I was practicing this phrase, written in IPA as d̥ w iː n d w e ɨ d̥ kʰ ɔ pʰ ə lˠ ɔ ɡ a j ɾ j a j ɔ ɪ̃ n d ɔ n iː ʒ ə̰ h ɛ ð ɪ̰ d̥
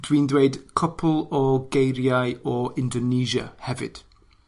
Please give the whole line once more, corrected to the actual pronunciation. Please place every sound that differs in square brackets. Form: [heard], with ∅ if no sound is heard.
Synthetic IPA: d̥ w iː n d w e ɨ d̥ kʰ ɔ pʰ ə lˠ ɔ ɡ [e] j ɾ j a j ɔ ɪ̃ n d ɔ n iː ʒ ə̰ h ɛ [v] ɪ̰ d̥